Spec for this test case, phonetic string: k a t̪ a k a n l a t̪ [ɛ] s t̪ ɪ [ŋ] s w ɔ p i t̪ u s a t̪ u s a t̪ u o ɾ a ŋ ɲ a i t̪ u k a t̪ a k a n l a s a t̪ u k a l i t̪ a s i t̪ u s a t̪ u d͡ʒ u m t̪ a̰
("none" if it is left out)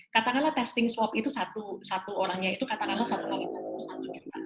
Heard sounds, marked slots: ɛ, ŋ

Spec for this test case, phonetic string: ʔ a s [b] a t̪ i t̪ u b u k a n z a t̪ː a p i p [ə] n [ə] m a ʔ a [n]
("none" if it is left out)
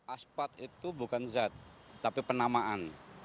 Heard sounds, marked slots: p, ə, a, n

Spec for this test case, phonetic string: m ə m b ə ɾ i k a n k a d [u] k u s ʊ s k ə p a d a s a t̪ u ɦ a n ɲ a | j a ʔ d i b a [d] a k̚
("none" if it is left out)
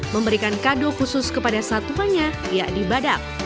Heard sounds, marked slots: o, d

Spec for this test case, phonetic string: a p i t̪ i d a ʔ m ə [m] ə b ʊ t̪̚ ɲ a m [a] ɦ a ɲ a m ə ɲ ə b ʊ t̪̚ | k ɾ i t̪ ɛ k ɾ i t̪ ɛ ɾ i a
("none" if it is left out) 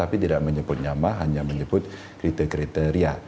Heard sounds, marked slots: ɲ, a

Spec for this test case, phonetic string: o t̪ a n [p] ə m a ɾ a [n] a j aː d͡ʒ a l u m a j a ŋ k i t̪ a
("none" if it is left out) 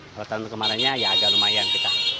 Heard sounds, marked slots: k, ɲ

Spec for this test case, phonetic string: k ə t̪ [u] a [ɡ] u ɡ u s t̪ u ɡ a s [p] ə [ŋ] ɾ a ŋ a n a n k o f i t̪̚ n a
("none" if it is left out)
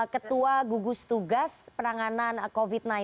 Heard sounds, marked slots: u, ɡ, p, none

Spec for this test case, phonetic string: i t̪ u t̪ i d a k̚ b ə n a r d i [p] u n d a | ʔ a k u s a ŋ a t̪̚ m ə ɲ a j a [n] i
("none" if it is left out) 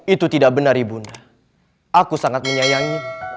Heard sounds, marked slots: b, ŋ

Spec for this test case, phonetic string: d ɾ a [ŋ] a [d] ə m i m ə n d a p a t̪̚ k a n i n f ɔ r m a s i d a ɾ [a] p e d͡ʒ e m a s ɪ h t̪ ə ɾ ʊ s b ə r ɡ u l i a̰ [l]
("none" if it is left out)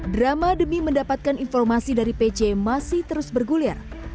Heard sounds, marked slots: m, d, i, r

